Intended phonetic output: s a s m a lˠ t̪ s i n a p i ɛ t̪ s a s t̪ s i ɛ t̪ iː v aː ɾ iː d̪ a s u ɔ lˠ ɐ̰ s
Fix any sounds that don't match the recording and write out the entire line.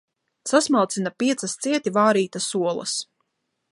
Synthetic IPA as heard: s a s m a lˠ t̪ s i n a p i ɛ t̪ s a s t̪ s i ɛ t̪ i v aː ɾ iː t̪ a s u ɔ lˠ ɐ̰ s